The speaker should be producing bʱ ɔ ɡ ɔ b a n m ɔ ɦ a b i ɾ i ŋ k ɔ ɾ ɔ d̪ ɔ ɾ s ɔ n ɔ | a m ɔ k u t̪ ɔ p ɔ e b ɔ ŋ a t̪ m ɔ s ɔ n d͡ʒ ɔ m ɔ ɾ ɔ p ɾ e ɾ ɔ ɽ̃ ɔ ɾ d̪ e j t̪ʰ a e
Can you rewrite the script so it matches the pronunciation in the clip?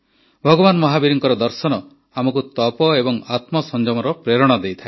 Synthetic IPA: bʱ ɔ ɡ ɔ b a n m ɔ ɦ a b i ɾ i ŋ k ɔ ɾ ɔ d̪ ɔ ɾ s ɔ n ɔ | a m ɔ k u t̪ ɔ p ɔ e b ɔ ŋ a t̪ m ɔ s ɔ n d͡ʒ ɔ m ɔ ɾ ɔ p ɾ e ɾ ɔ ɽ̃ ɔ d̪ e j t̪ʰ a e